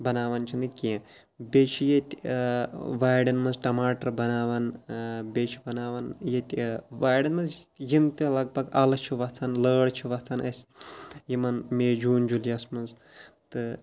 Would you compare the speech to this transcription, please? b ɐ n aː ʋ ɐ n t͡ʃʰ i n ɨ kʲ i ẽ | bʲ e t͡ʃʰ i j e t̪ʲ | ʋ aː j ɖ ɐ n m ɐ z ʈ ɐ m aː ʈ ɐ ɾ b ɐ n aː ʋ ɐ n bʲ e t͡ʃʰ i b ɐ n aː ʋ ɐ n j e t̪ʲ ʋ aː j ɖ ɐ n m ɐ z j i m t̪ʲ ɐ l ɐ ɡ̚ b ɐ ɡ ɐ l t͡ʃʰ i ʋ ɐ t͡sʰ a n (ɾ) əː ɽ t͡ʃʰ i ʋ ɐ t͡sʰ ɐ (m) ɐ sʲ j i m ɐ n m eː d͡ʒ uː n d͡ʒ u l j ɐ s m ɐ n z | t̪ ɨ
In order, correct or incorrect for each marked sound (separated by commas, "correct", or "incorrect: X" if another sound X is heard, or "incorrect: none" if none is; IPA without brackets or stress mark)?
incorrect: l, incorrect: n